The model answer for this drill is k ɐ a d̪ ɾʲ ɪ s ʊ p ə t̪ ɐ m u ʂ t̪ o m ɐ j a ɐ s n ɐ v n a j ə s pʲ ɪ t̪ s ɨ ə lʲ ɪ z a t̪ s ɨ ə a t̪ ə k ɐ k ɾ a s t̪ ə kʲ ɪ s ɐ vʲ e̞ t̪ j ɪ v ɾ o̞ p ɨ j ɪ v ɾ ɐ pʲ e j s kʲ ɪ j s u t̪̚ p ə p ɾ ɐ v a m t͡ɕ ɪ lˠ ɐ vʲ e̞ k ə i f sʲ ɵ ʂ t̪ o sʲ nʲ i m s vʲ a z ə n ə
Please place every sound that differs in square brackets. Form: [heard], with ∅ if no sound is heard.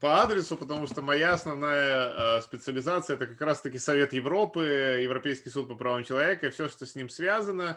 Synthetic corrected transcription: [p] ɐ a d̪ ɾʲ ɪ s ʊ p ə t̪ ɐ m u ʂ t̪ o m ɐ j a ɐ s n ɐ v n a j ə s pʲ ɪ t̪ s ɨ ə lʲ ɪ z a t̪ s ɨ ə [ɛ] t̪ ə k ɐ k ɾ a s t̪ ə kʲ ɪ s ɐ vʲ e̞ t̪ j ɪ v ɾ o̞ p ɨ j ɪ v ɾ ɐ pʲ e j s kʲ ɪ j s u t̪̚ p ə p ɾ ɐ v a m t͡ɕ ɪ lˠ ɐ vʲ e̞ k ə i f sʲ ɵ ʂ t̪ o sʲ nʲ i m s vʲ a z ə n ə